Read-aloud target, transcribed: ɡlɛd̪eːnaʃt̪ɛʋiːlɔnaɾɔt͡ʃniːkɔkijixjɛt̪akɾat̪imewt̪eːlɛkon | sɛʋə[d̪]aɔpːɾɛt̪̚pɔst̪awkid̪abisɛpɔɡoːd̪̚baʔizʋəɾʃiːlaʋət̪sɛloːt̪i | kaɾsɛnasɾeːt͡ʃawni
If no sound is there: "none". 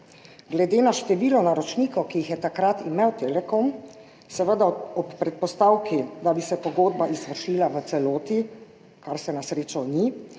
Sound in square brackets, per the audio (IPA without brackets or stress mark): d̪